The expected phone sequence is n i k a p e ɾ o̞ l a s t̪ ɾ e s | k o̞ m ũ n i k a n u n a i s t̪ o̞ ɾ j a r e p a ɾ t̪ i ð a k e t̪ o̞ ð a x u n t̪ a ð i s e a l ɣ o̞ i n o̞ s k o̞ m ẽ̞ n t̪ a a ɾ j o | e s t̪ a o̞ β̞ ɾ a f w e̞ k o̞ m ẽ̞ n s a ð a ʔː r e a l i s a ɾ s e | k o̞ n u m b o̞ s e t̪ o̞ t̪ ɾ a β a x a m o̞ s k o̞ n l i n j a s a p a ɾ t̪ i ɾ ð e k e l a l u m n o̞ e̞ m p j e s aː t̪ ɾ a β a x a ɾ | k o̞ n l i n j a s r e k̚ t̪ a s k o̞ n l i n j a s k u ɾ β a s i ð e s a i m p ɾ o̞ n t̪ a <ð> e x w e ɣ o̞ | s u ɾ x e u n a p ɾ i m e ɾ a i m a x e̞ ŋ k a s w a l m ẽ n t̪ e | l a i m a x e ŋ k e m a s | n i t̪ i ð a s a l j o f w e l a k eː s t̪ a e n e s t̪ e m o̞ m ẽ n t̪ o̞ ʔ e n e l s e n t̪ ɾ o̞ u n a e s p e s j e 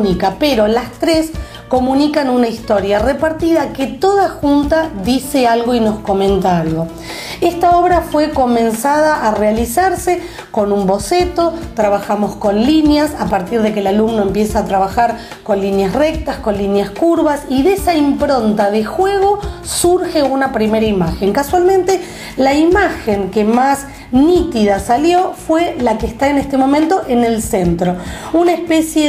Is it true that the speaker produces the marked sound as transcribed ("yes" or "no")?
yes